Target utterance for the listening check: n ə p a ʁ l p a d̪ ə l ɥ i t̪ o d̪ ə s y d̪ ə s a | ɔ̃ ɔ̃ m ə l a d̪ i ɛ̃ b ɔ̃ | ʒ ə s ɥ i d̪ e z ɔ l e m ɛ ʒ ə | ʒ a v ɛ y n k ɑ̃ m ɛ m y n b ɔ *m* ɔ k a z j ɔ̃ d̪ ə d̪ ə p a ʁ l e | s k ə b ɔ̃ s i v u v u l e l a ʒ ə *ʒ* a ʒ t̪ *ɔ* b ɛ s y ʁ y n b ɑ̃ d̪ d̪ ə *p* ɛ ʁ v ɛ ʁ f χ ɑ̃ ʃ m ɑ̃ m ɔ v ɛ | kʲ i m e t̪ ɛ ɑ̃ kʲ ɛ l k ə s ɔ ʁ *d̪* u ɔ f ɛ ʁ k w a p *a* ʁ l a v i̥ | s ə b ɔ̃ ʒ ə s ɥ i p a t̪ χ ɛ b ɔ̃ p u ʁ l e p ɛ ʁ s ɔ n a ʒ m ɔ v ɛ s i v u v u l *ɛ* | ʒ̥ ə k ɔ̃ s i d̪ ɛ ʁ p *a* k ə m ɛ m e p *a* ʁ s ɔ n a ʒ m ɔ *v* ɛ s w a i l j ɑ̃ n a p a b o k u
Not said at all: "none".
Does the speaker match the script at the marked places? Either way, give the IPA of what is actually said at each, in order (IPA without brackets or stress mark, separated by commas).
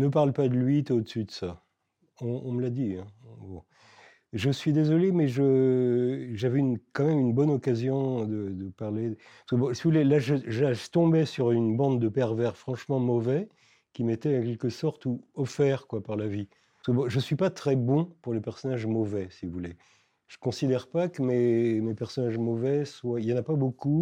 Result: n, ʒ, ɔ̃, p, t̪, a, e, a, ɛ, v